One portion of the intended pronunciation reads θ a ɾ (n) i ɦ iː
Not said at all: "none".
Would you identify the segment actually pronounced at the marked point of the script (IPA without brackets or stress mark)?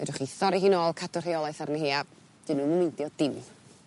n